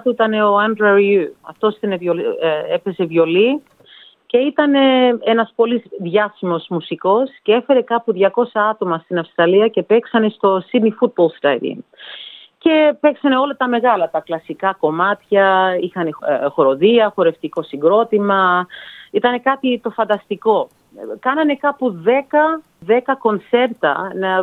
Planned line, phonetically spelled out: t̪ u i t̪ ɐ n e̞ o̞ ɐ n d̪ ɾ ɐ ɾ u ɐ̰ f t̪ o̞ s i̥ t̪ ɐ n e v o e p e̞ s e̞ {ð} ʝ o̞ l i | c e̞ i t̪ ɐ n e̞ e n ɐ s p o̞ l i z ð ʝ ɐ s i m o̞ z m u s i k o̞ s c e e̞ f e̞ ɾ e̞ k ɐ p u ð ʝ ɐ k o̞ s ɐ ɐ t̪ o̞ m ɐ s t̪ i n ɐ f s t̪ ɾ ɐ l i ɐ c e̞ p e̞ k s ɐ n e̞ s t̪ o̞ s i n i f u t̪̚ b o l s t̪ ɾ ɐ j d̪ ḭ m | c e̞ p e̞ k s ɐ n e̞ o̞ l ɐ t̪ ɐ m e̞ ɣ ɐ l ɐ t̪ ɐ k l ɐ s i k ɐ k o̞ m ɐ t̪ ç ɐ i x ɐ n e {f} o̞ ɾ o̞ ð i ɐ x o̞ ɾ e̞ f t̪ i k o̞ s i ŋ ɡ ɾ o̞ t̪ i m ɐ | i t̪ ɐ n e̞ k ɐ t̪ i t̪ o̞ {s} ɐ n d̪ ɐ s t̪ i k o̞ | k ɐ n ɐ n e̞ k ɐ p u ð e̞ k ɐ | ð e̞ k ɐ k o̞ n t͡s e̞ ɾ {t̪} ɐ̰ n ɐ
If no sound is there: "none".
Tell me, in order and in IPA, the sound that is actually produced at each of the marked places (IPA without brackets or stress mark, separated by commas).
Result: v, x, f, t̪